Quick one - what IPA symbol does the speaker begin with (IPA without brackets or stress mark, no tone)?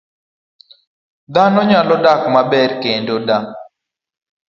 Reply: d̪